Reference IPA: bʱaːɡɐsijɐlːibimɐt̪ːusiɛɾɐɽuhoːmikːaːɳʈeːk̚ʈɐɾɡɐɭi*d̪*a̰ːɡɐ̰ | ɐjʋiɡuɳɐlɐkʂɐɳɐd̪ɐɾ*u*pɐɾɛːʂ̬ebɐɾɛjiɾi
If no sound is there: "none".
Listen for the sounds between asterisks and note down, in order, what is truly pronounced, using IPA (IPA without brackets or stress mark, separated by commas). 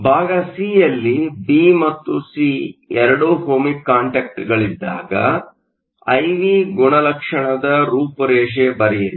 d̪ː, uː